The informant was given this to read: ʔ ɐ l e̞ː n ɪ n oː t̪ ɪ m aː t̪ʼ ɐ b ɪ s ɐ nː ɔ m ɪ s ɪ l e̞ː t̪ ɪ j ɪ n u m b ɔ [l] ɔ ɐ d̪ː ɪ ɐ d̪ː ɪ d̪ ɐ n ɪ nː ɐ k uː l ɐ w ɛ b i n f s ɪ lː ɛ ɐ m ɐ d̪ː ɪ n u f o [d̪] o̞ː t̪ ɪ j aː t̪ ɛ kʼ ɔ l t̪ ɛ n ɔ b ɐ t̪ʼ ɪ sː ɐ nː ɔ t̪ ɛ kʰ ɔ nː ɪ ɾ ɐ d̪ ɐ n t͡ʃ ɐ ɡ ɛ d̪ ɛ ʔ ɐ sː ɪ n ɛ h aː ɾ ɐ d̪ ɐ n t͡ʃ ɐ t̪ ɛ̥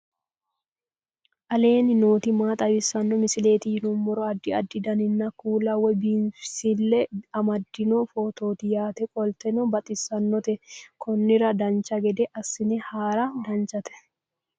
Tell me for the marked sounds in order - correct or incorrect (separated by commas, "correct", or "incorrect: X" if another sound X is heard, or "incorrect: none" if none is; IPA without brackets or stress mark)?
incorrect: ɾ, incorrect: t̪